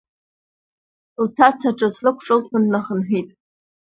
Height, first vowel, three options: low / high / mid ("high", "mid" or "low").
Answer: low